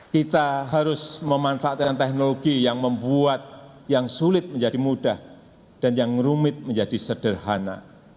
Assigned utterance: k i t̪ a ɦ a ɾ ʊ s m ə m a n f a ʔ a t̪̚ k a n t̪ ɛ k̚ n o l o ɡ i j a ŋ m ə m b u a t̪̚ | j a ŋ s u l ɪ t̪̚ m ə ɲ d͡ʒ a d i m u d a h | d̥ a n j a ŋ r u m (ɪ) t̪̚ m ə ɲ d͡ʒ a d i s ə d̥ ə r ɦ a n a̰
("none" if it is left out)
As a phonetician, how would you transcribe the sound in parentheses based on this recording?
ɪ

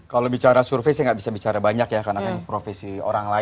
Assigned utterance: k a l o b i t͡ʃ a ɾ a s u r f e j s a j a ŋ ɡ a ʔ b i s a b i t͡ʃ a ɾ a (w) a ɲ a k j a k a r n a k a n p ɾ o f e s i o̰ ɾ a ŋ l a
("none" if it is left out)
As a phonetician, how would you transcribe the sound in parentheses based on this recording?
b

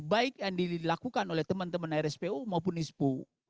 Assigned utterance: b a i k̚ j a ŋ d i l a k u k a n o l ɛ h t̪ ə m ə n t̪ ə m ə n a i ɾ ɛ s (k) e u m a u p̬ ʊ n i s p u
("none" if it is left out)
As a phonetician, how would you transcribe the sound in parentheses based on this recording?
p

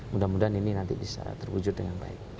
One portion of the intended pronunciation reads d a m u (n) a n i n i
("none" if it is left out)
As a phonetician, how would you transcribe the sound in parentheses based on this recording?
d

